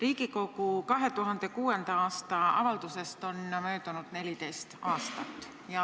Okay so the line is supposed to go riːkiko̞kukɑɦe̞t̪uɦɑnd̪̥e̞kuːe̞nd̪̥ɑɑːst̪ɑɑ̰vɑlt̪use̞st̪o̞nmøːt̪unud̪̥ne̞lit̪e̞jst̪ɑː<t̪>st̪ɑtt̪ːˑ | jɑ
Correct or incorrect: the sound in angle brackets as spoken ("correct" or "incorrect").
incorrect